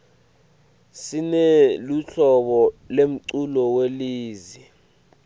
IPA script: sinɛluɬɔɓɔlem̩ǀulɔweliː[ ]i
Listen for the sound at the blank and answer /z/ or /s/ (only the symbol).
z